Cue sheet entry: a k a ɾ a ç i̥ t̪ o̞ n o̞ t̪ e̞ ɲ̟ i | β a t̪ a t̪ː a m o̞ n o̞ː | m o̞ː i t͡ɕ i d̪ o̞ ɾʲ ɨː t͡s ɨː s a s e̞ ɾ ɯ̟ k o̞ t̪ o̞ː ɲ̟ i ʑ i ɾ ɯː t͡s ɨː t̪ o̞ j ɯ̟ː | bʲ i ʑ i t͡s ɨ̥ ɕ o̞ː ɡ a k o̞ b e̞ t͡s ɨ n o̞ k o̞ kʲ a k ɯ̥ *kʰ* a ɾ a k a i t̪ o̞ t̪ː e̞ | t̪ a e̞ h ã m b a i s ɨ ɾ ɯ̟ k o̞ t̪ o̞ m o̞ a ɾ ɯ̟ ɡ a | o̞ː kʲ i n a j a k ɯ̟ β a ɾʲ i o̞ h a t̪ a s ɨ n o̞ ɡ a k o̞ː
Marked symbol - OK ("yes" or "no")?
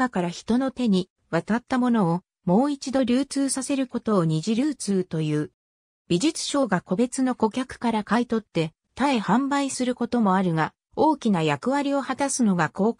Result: no